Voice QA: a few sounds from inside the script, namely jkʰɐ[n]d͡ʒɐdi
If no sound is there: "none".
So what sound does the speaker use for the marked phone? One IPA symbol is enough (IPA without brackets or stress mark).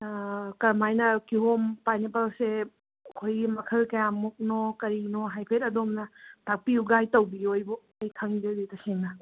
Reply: ŋ